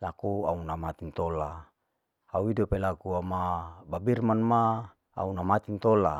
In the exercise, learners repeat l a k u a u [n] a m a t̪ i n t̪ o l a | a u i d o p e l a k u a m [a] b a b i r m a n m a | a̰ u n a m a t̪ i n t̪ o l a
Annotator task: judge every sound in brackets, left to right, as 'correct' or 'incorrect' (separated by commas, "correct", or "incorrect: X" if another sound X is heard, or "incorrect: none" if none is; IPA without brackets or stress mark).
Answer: correct, correct